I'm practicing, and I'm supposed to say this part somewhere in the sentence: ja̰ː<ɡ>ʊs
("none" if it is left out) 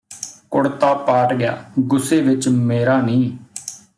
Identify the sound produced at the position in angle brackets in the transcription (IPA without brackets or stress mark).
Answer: ɡ